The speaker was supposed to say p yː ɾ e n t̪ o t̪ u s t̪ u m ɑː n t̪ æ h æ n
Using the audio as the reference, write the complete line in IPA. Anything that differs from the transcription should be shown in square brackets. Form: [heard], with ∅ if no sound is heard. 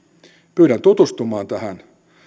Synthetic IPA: p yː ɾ [æ] n t̪ [u] t̪ u s t̪ u m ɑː n t̪ æ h æ n